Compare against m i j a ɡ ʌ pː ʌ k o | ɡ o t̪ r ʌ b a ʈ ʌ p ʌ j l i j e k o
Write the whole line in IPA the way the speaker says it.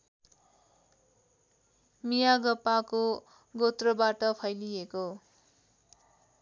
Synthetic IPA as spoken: m i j a ɡ ʌ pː a k o | ɡ o t̪ r ʌ b a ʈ ʌ pʰ ʌ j l i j e k o